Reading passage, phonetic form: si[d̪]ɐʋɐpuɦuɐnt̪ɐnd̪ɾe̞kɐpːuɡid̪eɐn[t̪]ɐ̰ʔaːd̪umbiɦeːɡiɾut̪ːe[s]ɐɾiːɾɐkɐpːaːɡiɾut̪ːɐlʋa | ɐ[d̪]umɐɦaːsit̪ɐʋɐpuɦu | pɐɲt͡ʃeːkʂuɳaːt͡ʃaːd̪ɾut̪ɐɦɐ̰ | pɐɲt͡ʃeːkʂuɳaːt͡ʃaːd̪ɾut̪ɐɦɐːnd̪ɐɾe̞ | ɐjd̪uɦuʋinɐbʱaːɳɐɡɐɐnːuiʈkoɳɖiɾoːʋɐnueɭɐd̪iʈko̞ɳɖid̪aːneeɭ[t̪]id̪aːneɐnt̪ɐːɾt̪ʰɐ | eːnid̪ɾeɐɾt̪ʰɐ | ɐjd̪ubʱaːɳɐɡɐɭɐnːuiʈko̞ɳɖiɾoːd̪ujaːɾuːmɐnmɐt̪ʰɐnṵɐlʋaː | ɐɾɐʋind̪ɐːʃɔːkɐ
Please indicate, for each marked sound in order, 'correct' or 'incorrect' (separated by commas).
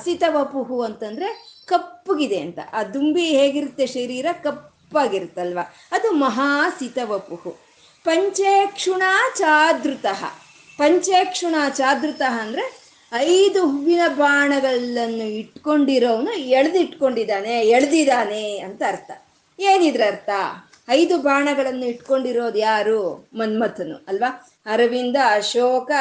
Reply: incorrect, correct, incorrect, correct, incorrect